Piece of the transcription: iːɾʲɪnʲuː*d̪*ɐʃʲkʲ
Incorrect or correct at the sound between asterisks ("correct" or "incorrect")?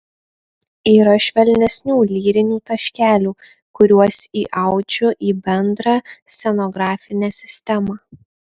incorrect